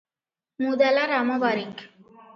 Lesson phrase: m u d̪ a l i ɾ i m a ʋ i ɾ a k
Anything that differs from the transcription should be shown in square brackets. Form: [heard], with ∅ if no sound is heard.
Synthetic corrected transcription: m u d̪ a l [a] ɾ [a] m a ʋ [a] ɾ [i] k